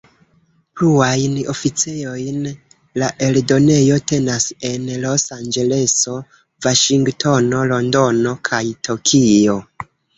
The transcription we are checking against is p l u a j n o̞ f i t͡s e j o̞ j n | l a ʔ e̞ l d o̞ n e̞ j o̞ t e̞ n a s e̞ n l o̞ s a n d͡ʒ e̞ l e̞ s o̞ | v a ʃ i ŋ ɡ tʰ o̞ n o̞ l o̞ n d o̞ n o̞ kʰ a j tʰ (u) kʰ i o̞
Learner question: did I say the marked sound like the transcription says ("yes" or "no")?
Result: no